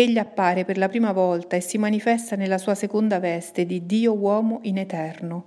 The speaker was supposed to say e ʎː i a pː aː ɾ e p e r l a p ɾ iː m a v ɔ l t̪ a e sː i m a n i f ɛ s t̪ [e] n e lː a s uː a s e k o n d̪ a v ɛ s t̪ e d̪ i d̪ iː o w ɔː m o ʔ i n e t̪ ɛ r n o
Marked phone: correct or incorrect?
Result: incorrect